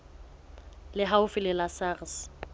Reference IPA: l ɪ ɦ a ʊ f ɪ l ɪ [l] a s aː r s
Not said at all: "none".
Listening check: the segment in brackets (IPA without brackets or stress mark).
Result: l